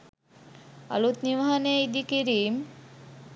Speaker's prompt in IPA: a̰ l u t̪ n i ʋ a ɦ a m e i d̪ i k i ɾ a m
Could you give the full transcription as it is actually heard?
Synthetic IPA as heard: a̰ l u t̪ n i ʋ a ɦ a n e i d̪ i k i ɾ i m